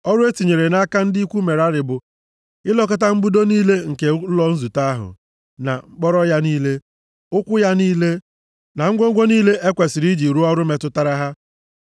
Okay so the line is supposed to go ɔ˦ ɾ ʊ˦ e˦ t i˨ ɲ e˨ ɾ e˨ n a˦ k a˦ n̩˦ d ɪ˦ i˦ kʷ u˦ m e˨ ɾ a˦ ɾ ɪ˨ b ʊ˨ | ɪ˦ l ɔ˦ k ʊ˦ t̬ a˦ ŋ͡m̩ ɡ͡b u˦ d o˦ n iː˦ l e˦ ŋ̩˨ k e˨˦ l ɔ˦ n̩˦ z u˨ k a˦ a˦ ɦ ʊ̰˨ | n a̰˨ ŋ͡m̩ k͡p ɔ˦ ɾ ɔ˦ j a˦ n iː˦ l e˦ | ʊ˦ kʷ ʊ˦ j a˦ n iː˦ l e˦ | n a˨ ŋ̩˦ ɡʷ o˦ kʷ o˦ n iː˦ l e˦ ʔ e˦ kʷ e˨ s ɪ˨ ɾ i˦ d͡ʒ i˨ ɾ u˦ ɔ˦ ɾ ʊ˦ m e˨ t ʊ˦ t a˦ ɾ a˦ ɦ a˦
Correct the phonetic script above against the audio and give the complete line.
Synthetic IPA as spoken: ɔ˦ ɾ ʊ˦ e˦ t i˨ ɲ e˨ ɾ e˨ n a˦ k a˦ n̩˦ d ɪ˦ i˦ kʷ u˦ m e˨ ɾ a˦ ɾ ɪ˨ b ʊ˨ | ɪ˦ l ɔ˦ k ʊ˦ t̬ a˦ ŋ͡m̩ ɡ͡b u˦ d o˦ n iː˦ l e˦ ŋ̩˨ k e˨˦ l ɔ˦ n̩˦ z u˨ t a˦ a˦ ɦ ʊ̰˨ | n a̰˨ ŋ͡m̩ k͡p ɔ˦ ɾ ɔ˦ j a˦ n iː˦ l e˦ | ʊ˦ kʷ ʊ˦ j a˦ n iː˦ l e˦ | n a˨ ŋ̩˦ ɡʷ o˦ ɡʷ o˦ n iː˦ l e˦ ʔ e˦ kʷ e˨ s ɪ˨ ɾ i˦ d͡ʒ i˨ ɾ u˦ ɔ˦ ɾ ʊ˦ m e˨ t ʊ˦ t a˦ ɾ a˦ ɦ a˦